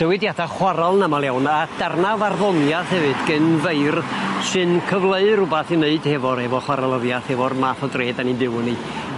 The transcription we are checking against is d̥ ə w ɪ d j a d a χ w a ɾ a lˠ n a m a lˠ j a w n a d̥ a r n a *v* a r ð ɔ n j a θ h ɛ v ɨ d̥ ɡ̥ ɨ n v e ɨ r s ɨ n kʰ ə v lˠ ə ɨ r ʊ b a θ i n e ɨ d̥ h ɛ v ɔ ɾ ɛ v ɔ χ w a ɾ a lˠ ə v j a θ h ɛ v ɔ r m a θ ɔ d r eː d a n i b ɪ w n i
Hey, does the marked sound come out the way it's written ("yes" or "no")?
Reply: yes